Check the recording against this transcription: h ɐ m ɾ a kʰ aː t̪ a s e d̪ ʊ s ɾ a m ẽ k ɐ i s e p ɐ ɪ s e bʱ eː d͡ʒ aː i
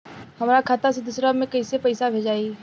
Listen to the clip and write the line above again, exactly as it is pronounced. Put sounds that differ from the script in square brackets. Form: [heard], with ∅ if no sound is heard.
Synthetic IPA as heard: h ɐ m ɾ a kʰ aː t̪ a s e d̪ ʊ s ɾ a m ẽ k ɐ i s e p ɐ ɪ s [a] bʱ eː d͡ʒ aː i